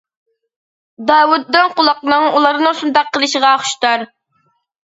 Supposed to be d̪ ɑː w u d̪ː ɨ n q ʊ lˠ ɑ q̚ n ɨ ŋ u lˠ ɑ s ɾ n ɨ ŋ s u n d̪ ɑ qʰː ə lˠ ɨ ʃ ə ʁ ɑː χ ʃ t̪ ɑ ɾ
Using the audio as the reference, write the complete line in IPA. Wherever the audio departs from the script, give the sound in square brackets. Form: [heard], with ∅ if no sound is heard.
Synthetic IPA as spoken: d̪ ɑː w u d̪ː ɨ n q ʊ lˠ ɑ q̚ n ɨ ŋ u lˠ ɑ [∅] ɾ n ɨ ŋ s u n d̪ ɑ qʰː ə lˠ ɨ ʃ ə ʁ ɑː χ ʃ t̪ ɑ ɾ